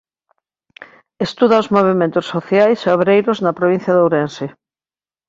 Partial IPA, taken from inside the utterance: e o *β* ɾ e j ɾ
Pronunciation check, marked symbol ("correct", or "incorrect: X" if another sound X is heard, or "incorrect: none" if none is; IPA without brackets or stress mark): correct